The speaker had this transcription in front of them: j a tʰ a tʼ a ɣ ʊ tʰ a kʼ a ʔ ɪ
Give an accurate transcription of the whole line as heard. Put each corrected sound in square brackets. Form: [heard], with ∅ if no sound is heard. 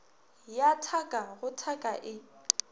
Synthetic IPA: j a tʰ a [kʼ] a ɣ ʊ tʰ a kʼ a ʔ ɪ